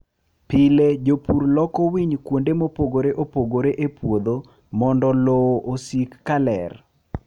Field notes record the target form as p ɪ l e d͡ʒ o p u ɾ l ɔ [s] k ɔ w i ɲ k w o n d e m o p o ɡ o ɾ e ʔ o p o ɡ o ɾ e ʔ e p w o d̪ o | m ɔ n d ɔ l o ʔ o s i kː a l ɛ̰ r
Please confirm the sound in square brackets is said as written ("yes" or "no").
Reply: no